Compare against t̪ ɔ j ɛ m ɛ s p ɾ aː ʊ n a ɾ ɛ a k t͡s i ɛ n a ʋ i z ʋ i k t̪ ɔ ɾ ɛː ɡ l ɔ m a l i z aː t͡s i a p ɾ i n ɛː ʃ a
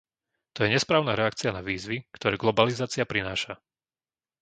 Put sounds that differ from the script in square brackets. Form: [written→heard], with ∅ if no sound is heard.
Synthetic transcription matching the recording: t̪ ɔ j ɛ [m→ɲ] ɛ s p ɾ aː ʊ n a ɾ ɛ a k t͡s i [ɛ→a] n a ʋ [i→iː] z ʋ i k t̪ ɔ ɾ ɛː ɡ l ɔ [m→b] a l i z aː t͡s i a p ɾ i n [ɛː→aː] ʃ a